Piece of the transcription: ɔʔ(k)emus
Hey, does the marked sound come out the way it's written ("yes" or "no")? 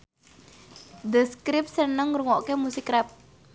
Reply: yes